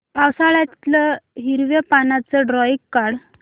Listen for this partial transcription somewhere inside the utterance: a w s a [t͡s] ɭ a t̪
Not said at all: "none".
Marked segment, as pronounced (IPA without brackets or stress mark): none